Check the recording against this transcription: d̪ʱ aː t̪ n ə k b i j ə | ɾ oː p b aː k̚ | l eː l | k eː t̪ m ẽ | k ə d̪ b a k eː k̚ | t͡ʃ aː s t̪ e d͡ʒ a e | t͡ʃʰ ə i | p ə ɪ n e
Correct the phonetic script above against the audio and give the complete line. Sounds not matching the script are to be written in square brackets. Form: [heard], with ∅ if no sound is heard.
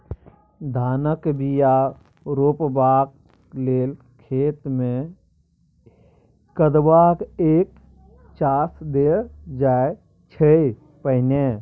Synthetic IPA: d̪ʱ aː [∅] n ə k b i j [a] | ɾ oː p b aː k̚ | l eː l | [kʰ] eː t̪ m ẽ | k ə d̪ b a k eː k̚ | t͡ʃ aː s [d̪] e d͡ʒ a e | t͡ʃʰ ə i | p ə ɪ n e